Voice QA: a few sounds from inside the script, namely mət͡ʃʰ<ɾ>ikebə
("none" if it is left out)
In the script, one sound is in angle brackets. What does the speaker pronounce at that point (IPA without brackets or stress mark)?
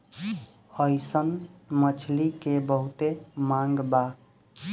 l